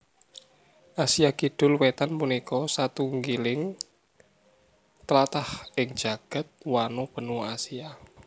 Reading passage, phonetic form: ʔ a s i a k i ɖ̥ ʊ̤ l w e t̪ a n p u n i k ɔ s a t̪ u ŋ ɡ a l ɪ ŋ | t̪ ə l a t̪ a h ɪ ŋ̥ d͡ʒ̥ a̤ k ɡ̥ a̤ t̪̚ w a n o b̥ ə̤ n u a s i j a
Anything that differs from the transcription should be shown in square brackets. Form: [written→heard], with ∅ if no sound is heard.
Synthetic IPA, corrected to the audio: ʔ a s i a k i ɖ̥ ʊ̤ l w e t̪ a n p u n i k ɔ s a t̪ u ŋ ɡ [a→i] l ɪ ŋ | t̪ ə l a t̪ a h ɪ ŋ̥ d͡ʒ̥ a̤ [k→∅] ɡ̥ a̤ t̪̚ w a n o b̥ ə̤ n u a s i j a

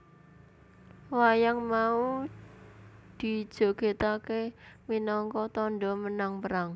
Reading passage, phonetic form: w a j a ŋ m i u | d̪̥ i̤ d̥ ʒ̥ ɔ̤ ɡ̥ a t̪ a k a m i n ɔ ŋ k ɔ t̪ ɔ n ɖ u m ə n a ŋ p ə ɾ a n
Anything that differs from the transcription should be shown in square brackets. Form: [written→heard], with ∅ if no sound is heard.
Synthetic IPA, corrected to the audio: w a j a ŋ m [i→a] u | d̪̥ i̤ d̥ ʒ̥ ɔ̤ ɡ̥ [a→e] t̪ a k [a→e] m i n ɔ ŋ k ɔ t̪ ɔ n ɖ [u→ɔ] m ə n a ŋ p ə ɾ a [n→ŋ]

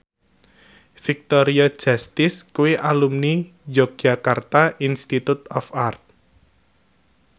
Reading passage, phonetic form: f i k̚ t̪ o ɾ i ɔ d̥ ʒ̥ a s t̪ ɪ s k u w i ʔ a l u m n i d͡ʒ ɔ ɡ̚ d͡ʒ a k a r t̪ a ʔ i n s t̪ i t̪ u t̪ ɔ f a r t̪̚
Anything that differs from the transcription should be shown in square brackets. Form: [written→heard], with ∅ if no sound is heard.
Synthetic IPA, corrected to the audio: f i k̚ t̪ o ɾ i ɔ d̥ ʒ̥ a s t̪ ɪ s k u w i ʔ a l u m n i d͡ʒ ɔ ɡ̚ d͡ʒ a k a r t̪ a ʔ i n s t̪ i t̪ u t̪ ɔ f a r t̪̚

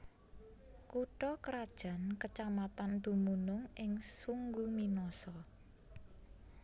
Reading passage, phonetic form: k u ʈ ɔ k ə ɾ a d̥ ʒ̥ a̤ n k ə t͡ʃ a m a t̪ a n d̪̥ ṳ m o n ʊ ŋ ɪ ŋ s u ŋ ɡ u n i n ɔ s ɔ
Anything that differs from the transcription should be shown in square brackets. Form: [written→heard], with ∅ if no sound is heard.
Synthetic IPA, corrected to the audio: k u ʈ ɔ k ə ɾ a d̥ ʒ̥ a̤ n k ə t͡ʃ a m a t̪ a n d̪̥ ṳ m [o→u] n ʊ ŋ ɪ ŋ s u ŋ ɡ u [n→m] i n ɔ s ɔ

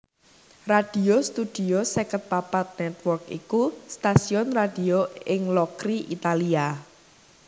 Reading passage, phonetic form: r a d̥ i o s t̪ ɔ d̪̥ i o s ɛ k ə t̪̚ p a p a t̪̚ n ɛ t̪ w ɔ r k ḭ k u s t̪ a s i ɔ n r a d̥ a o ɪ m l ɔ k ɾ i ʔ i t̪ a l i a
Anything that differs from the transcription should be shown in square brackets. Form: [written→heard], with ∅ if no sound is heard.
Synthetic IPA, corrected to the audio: r a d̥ i o s t̪ [ɔ→u] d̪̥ i o s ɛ k ə t̪̚ p a p a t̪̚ n ɛ t̪ w ɔ r k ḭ k u s t̪ a s i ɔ n r a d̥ [a→i] o ɪ [m→ŋ] l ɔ k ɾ i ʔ i t̪ a l i a

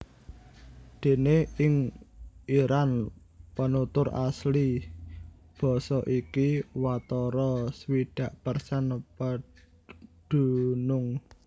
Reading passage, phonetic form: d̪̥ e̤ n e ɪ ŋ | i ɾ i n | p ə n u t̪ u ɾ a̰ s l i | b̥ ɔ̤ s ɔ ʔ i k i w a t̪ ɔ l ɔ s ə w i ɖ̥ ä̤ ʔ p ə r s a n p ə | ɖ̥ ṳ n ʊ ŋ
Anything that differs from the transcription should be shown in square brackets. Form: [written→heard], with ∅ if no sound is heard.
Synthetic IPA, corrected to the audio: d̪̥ e̤ n e ɪ ŋ | i ɾ [i→a] n | p ə n u t̪ [u→ʊ] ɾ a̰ s l i | b̥ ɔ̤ s ɔ ʔ i k i w a t̪ ɔ [l→ɾ] ɔ s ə w i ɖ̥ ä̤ ʔ p ə r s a n p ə | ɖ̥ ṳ n ʊ ŋ

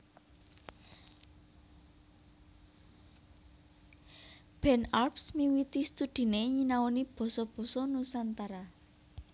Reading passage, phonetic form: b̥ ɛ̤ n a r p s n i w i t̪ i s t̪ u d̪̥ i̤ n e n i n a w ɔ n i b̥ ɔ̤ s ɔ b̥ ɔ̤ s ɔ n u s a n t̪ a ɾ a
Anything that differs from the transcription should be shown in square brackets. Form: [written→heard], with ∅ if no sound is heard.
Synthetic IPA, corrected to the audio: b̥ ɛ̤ n a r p s [n→m] i w i t̪ i s t̪ u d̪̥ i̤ n e [n→ɲ] i n a w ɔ n i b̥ ɔ̤ s ɔ b̥ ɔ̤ s ɔ n u s a n t̪ a ɾ a

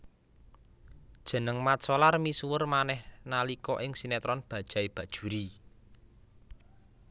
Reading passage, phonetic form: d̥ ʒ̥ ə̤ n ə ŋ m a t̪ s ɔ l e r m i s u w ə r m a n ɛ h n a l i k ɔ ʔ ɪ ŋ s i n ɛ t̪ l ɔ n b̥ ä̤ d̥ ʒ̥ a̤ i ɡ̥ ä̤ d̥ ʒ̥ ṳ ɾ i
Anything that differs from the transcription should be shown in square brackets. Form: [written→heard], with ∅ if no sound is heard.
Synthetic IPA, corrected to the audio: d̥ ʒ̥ ə̤ n ə ŋ m a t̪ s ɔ l [e→a] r m i s u w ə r m a n ɛ h n a l i k ɔ ʔ ɪ ŋ s i n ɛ t̪ [l→ɾ] ɔ n b̥ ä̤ d̥ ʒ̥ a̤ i [ɡ̥→b̥] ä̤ d̥ ʒ̥ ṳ ɾ i

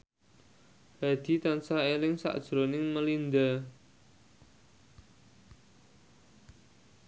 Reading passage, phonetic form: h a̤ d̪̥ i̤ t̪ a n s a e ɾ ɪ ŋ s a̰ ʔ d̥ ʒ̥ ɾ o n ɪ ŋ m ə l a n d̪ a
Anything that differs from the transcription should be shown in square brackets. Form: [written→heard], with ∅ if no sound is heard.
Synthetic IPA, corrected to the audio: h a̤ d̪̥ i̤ t̪ a n s a e [ɾ→l] ɪ ŋ s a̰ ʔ d̥ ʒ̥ ɾ o n ɪ ŋ m ə l [a→i] n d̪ a

